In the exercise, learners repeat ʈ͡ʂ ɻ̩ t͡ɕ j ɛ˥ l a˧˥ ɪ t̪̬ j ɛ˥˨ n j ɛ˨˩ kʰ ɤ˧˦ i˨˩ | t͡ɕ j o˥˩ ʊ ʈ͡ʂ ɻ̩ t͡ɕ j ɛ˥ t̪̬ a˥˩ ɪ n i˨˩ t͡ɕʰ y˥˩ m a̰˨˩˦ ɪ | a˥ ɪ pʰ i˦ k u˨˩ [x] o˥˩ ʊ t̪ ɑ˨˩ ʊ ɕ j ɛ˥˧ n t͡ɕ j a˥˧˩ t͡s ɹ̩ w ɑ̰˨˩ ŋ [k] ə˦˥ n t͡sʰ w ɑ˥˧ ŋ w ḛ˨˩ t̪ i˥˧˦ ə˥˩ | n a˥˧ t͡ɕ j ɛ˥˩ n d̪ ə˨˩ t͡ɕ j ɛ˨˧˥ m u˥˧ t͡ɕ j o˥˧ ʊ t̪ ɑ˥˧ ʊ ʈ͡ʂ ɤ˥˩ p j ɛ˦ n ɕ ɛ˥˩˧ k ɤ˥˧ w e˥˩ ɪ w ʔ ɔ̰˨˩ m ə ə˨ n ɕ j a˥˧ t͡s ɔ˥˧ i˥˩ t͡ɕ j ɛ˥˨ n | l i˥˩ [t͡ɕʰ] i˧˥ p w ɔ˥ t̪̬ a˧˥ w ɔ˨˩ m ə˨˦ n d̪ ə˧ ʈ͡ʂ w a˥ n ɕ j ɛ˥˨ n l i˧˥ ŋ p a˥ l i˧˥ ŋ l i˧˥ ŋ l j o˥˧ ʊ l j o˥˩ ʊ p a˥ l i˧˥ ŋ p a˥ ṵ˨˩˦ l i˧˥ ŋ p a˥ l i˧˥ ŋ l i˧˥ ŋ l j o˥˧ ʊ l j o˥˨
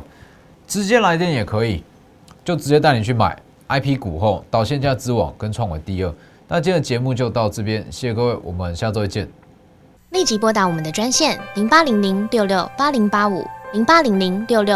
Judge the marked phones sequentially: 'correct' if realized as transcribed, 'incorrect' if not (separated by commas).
correct, correct, incorrect